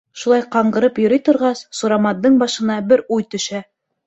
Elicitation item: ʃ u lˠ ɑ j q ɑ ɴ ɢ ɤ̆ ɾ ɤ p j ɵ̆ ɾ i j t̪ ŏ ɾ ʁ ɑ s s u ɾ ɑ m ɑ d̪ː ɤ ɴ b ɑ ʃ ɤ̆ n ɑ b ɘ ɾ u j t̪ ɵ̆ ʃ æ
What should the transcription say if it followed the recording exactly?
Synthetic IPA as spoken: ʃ u lˠ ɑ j q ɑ ɴ ɢ ɤ̆ ɾ ɤ p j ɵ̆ ɾ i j t̪ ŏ ɾ ʁ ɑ s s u ɾ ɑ m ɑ d̪ː ɤ ɴ b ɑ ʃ ɤ̆ n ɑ b ɘ ɾ u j t̪ ɵ̆ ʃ æ